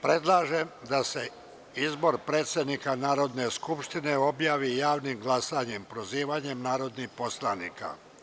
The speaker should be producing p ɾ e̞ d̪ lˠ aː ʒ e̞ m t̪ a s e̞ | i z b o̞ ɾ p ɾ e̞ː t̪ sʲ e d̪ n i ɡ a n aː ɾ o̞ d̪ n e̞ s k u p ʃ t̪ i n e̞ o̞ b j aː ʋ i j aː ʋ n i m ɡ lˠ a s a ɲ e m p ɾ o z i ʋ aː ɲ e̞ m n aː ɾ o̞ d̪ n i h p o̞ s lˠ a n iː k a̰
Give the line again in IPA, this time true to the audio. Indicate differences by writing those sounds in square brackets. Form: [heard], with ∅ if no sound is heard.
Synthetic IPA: p ɾ e̞ d̪ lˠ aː ʒ e̞ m [d̪] a s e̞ | i z b o̞ ɾ p ɾ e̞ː t̪ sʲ e d̪ n i [k] a n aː ɾ o̞ d̪ n e̞ s k u p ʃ t̪ i n e̞ o̞ b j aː ʋ i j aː ʋ n i m ɡ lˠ a s a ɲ e m p ɾ o z [iː] ʋ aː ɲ e̞ m n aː ɾ o̞ d̪ n i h p o̞ s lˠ a n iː k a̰